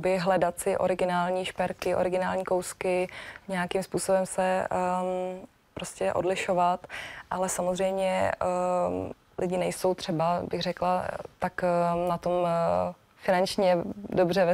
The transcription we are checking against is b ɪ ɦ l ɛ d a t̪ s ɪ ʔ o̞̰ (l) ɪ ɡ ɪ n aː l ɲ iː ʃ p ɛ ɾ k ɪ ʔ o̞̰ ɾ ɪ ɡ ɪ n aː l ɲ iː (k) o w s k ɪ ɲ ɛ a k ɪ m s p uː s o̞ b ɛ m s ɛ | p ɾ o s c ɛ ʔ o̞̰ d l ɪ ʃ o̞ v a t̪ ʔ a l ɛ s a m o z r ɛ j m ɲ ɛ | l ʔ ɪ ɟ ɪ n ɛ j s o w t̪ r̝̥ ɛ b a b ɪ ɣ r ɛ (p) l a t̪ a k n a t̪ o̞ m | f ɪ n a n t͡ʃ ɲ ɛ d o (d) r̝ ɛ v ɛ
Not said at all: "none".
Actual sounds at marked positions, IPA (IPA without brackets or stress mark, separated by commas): ɾ, k, k, b